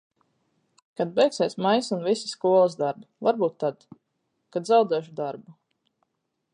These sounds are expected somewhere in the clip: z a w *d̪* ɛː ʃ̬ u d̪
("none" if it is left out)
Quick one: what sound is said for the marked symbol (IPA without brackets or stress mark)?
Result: d̪